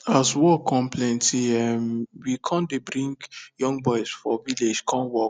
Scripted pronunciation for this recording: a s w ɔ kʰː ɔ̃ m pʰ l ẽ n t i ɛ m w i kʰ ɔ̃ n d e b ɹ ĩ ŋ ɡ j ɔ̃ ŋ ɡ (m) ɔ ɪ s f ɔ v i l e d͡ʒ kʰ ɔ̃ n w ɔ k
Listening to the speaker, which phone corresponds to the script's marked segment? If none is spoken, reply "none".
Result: b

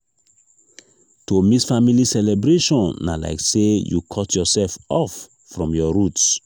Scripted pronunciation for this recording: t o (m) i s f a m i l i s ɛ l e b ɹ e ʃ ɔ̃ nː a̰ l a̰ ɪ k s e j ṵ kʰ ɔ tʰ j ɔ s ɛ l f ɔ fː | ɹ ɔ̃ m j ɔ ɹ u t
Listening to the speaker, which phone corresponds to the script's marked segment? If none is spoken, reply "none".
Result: m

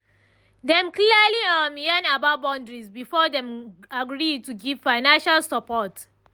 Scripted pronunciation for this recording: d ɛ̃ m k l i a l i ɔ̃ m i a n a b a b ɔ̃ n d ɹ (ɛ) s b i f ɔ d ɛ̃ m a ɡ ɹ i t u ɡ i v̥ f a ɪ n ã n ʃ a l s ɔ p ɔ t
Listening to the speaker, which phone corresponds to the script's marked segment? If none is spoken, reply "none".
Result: i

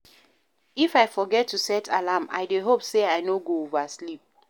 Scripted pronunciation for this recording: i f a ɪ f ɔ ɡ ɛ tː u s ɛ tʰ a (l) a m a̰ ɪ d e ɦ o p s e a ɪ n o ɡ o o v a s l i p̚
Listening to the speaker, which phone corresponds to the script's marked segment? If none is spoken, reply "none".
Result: l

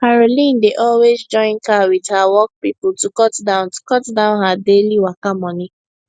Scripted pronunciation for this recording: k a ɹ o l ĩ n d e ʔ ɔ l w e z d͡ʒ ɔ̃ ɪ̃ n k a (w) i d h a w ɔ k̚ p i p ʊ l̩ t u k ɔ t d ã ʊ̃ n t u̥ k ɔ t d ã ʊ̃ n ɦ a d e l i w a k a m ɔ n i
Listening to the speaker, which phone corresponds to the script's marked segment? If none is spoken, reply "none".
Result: w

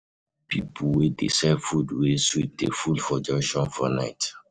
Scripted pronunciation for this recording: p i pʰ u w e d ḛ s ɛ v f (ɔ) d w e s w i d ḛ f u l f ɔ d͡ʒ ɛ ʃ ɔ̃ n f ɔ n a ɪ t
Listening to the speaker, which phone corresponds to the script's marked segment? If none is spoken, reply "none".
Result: u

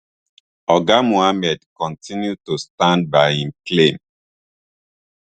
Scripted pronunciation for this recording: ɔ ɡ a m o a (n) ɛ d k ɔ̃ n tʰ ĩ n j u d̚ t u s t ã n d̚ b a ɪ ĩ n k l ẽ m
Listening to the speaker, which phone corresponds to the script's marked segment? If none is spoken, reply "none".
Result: m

